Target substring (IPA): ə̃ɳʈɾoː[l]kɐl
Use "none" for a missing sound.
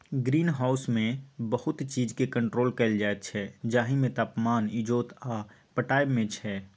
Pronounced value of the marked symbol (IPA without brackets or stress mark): l